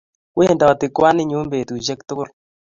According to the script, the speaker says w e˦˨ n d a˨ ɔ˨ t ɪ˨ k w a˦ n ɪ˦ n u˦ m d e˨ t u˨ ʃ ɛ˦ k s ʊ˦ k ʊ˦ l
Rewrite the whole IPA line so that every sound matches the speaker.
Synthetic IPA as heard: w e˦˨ n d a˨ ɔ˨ t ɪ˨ k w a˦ n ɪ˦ ɲ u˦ m b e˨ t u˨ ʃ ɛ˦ k t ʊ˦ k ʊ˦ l